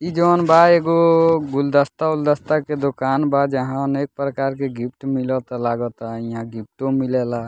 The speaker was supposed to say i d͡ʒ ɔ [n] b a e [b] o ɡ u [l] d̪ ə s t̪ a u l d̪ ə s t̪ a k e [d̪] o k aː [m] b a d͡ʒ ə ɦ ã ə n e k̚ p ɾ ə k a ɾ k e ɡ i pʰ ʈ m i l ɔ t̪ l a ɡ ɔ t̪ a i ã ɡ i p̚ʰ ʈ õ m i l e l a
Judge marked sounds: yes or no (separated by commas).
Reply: yes, no, yes, yes, no